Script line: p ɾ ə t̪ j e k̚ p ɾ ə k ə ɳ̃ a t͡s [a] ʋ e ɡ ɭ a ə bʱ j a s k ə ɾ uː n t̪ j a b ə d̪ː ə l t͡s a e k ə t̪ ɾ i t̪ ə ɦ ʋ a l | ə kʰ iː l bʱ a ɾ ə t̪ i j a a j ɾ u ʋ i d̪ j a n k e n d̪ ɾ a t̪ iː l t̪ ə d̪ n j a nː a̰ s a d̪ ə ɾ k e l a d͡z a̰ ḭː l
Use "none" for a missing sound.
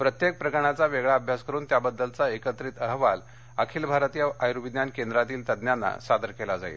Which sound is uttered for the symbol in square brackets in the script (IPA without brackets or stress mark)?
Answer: a